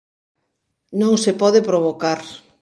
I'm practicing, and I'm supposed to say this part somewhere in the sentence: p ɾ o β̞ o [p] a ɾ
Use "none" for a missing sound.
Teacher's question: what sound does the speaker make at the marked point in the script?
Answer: k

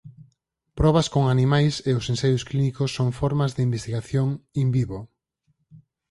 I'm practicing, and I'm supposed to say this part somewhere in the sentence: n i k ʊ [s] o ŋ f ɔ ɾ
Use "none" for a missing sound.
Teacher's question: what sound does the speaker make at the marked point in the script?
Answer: sː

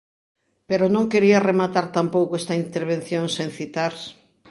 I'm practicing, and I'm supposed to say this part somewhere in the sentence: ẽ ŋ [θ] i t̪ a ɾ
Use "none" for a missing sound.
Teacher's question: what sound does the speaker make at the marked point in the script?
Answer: θ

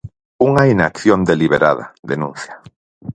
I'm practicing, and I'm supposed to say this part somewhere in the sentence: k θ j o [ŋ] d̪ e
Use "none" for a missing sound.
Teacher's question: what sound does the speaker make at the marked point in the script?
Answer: n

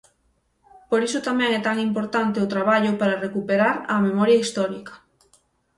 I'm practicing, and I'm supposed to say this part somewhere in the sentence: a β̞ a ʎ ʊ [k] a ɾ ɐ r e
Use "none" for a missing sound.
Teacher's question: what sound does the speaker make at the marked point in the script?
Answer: p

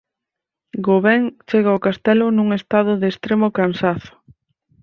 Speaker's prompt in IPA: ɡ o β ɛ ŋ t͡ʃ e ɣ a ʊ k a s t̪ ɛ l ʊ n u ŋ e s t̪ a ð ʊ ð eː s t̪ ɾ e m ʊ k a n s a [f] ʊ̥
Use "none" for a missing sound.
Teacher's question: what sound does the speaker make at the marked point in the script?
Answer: θ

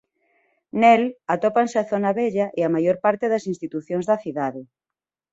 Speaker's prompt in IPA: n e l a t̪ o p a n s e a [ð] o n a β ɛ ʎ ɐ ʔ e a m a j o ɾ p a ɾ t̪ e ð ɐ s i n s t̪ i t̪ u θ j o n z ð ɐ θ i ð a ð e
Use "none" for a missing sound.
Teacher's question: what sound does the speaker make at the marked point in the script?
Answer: θ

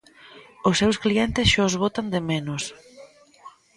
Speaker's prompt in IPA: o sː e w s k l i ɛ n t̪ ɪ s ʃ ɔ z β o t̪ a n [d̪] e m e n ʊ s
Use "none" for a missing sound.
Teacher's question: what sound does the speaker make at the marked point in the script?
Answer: d̪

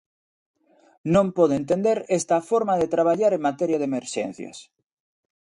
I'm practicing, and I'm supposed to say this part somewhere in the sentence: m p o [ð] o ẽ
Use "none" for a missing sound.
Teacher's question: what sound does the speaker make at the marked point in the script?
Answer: ð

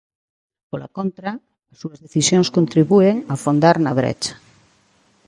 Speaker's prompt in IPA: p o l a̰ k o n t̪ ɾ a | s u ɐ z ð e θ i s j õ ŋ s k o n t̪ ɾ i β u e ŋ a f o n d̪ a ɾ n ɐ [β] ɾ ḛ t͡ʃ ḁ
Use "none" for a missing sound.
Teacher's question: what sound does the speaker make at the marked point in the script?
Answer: β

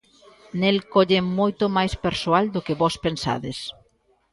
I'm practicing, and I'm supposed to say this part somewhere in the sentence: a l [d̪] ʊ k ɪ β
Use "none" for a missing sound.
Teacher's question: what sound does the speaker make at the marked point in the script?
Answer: d̪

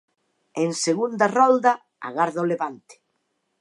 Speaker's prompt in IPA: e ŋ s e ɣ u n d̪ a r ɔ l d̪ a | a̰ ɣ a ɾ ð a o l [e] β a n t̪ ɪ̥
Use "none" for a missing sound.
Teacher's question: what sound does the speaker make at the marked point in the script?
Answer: e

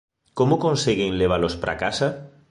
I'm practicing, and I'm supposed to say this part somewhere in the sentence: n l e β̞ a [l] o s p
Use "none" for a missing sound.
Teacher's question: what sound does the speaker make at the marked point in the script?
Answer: l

